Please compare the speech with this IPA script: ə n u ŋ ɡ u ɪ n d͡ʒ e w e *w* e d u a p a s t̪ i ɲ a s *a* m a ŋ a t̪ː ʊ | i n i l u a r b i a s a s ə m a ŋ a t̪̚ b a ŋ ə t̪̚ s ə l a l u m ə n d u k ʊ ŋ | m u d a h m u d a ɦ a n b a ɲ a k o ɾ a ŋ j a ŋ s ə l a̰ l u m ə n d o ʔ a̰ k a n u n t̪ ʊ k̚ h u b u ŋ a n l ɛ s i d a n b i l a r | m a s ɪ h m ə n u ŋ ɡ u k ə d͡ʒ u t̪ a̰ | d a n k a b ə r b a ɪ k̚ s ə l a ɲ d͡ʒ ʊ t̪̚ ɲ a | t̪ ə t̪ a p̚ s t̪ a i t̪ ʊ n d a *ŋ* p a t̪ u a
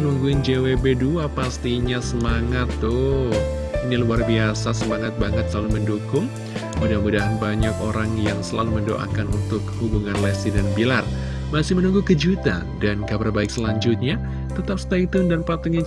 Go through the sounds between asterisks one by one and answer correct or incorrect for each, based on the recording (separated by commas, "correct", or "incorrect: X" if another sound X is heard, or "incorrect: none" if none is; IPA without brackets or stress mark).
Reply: incorrect: b, incorrect: ə, incorrect: n